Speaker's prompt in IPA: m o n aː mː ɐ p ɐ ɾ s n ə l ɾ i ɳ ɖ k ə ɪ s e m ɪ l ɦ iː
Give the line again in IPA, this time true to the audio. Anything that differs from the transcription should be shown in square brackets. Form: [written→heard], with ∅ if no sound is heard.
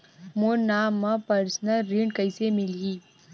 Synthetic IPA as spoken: m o n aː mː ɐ p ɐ ɾ s n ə l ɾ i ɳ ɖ k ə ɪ s e m ɪ l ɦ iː